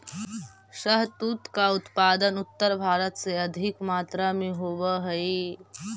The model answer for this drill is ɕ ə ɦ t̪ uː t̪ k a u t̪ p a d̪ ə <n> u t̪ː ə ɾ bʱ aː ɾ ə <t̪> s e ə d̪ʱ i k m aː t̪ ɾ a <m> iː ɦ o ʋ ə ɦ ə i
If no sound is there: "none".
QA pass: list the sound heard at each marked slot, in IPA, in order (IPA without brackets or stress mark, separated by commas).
n, t̪, m